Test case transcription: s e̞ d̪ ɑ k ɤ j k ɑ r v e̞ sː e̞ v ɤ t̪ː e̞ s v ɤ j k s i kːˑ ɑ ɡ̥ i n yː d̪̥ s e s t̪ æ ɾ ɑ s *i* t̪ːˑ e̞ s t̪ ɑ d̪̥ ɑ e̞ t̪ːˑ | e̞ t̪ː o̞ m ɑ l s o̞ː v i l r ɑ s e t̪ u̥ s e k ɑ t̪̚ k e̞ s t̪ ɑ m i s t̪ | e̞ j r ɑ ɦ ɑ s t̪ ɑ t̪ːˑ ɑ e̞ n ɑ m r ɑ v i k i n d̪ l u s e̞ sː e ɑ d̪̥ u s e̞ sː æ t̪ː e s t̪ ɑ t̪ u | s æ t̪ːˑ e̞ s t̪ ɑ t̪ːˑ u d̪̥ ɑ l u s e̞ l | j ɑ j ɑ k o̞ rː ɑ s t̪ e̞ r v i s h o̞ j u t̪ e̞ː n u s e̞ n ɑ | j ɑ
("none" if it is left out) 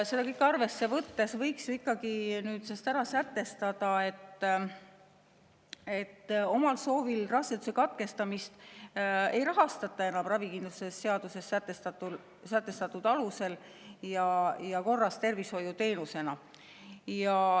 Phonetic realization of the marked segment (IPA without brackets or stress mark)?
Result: æ